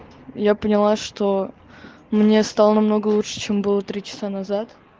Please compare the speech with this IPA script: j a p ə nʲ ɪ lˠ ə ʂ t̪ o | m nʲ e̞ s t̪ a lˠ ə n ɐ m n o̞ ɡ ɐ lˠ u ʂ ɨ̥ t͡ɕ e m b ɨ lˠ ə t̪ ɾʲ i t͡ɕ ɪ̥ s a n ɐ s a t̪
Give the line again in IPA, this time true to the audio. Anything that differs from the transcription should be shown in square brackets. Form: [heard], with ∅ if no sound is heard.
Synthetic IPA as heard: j a p ə nʲ ɪ lˠ [a] ʂ t̪ o | m nʲ e̞ s t̪ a lˠ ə n ɐ m n o̞ ɡ [ə] lˠ u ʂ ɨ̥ t͡ɕ e m b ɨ lˠ ə t̪ ɾʲ i t͡ɕ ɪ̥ s a n ɐ [z] a t̪